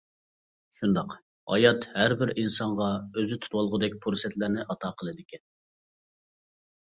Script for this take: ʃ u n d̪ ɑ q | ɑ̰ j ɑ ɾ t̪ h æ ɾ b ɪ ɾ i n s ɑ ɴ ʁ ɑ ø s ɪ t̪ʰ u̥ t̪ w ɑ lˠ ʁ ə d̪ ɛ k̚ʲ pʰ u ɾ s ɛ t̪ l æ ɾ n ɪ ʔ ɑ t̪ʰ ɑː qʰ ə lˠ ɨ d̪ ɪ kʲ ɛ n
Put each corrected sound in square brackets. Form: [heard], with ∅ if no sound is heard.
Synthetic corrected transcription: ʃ u n d̪ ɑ q | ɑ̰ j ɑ [∅] t̪ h æ ɾ b ɪ ɾ i n s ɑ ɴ ʁ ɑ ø [z] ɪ t̪ʰ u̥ t̪ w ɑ lˠ ʁ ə d̪ ɛ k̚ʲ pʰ u ɾ s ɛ t̪ l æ ɾ n ɪ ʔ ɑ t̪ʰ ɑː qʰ ə lˠ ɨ d̪ ɪ kʲ ɛ n